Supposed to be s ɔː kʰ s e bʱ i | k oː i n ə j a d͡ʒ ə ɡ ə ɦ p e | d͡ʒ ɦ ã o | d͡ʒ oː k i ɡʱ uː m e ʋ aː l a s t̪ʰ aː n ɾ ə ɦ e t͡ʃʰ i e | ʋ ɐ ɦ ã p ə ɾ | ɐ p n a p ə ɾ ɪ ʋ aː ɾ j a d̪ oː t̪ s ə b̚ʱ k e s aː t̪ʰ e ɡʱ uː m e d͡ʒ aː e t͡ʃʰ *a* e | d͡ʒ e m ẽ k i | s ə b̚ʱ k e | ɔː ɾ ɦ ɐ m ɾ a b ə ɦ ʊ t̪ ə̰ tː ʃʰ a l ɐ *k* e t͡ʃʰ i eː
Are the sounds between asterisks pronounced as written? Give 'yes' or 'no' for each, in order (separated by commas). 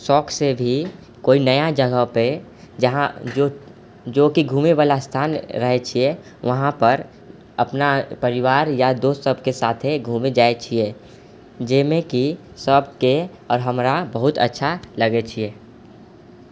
no, no